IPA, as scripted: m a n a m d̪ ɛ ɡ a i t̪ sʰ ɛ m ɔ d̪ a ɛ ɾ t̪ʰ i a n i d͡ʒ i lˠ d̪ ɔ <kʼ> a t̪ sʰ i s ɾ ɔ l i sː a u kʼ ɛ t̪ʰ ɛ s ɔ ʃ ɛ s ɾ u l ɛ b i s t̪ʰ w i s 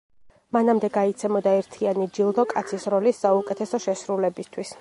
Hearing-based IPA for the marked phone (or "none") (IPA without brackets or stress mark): kʼ